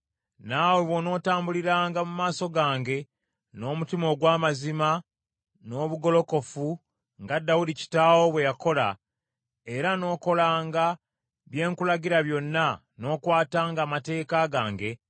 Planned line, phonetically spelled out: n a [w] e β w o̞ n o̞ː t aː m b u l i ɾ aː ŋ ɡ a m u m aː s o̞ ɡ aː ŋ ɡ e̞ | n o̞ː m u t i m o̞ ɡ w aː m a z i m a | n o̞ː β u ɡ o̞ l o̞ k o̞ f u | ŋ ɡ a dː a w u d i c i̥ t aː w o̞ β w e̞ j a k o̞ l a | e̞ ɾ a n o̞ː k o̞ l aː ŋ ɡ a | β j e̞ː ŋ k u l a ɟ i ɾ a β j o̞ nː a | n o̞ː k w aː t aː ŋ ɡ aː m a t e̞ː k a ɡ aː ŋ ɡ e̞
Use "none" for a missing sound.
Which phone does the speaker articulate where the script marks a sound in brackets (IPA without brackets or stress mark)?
w